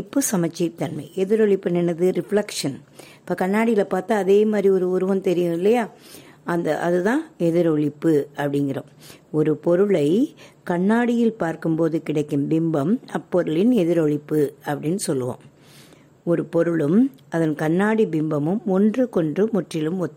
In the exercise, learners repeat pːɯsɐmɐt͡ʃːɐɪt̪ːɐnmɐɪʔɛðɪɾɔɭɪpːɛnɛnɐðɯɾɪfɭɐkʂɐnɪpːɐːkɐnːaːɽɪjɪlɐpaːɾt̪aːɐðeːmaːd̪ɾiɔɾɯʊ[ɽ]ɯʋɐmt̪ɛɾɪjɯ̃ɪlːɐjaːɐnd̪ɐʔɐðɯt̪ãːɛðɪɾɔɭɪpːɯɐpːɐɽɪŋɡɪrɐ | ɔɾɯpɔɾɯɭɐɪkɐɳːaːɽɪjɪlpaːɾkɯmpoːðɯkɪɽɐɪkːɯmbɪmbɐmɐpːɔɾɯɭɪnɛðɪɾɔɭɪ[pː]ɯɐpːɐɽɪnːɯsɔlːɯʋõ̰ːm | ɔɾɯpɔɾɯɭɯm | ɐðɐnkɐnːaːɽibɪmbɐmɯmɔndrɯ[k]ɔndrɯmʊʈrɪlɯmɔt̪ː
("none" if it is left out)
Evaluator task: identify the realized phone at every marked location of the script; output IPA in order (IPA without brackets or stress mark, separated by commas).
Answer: ɾ, pː, k